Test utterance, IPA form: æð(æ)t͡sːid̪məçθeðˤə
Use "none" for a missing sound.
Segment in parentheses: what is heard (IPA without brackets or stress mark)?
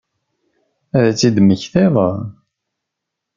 æ